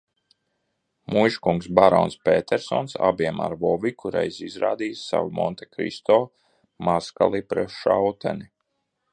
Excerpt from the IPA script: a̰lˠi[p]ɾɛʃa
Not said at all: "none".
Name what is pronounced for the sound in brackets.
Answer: p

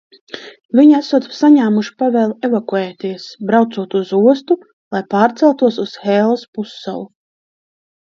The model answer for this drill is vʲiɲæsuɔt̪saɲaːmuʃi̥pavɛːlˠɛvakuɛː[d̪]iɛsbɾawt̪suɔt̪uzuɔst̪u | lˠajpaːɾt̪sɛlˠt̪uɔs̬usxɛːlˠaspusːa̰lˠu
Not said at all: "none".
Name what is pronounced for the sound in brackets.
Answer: t̪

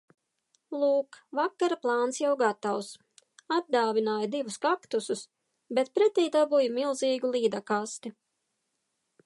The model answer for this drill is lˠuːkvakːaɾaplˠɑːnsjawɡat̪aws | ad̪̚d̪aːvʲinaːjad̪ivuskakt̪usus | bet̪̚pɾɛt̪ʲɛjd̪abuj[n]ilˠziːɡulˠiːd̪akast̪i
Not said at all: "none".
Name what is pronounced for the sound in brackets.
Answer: m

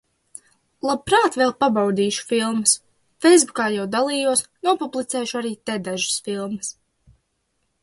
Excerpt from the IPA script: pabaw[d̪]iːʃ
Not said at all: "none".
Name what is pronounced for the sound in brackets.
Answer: d̪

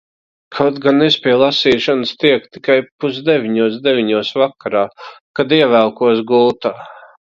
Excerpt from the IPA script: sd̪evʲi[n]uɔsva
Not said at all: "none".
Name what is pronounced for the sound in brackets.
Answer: ɲ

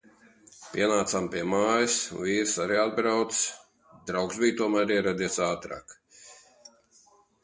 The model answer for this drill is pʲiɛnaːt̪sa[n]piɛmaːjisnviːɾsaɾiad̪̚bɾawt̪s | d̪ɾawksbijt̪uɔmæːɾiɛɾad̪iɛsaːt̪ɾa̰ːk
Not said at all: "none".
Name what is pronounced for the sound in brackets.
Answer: m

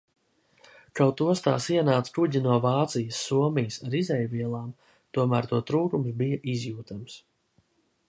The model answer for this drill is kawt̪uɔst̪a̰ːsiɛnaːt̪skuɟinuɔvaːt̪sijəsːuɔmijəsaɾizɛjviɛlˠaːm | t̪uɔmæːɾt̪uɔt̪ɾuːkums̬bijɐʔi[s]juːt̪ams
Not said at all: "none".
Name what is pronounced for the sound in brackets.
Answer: z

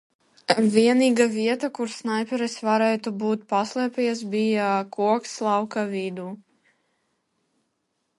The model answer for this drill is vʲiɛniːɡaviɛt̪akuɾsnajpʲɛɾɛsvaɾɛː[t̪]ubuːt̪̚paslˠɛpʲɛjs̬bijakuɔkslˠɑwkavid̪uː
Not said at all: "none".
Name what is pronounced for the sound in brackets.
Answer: t̪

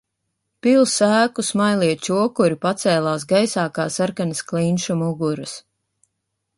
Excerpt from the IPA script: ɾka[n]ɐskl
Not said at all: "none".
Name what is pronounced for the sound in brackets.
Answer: n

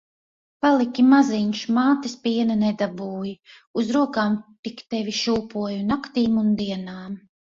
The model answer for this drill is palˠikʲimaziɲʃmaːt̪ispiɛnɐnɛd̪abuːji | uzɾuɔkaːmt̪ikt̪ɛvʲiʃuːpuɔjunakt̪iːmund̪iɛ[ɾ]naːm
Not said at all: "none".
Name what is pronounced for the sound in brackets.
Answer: none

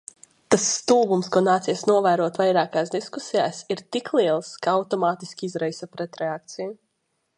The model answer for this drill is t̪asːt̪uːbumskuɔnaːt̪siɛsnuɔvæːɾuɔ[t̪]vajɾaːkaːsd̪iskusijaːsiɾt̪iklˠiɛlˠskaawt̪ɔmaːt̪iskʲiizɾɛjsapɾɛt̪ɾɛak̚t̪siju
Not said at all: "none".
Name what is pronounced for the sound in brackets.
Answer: t̪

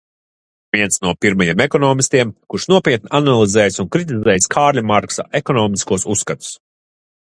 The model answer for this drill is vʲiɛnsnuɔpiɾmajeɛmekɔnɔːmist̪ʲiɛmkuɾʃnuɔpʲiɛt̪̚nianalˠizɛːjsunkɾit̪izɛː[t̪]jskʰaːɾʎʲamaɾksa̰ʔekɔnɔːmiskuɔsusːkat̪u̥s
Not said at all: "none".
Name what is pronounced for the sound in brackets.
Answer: none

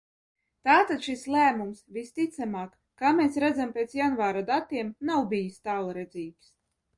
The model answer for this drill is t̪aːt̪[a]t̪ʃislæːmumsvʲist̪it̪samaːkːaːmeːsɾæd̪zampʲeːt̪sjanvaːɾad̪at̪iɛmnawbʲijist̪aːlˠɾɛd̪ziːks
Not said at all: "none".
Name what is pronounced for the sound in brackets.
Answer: a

